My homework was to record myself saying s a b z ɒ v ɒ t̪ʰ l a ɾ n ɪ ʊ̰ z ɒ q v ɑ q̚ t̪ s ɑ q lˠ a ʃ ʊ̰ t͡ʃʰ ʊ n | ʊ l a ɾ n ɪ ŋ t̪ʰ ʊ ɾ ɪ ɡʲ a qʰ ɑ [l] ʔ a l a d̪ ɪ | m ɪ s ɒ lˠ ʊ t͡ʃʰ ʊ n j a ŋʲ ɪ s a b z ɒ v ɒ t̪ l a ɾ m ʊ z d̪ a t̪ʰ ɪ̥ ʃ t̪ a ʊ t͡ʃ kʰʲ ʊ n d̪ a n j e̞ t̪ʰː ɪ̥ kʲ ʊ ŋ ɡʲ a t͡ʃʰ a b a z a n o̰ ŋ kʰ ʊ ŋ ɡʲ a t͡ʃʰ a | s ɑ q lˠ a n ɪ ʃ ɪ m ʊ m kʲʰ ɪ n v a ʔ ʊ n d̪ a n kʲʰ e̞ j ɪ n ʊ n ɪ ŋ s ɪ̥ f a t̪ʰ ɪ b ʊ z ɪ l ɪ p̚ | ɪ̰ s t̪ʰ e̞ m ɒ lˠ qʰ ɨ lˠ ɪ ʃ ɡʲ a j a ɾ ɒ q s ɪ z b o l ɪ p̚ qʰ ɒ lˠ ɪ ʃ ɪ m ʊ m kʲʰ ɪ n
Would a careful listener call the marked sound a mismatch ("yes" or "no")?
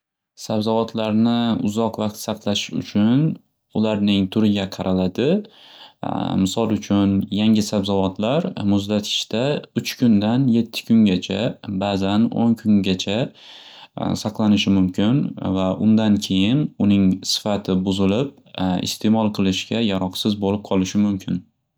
yes